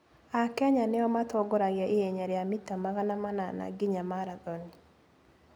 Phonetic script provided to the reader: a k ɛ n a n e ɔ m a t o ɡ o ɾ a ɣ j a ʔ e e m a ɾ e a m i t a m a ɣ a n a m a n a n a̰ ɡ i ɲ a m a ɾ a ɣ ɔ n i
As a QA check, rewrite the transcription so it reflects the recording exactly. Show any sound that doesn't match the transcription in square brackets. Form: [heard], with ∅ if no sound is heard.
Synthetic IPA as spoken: a k ɛ [ɲ] a n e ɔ m a t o ɡ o ɾ a ɣ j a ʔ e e [ɲ] a ɾ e a m i t a m a ɣ a n a m a n a n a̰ ɡ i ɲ a m a ɾ a [ð] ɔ n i